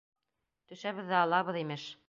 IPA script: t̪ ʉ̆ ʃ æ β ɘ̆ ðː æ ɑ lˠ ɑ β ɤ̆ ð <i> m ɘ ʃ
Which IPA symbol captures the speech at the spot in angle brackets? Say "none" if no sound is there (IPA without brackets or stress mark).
i